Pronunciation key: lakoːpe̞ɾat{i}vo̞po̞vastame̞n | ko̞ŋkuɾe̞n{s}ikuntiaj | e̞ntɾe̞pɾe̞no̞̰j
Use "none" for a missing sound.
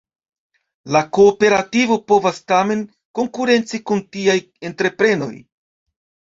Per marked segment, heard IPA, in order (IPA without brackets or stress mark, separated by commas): i, t͡s